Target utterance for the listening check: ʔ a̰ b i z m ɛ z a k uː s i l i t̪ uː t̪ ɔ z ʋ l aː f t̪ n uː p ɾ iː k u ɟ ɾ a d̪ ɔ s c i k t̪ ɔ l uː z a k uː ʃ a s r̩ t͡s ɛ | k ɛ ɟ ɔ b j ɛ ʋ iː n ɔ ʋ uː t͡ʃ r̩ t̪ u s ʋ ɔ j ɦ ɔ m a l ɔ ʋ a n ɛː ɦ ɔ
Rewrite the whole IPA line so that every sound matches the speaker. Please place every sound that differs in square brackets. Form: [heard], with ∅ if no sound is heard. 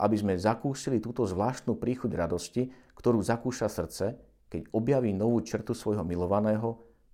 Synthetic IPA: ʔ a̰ b i z m ɛ z a k uː s i l i t̪ uː t̪ ɔ z ʋ l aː [ʃ] t̪ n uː p ɾ iː [x] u ɟ ɾ a d̪ ɔ s c i k t̪ ɔ [ɾ] uː z a k uː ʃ a s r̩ t͡s ɛ | k ɛ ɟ ɔ b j [a] ʋ iː n ɔ ʋ uː t͡ʃ r̩ t̪ u s ʋ ɔ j ɦ ɔ m [i] l ɔ ʋ a n ɛː ɦ ɔ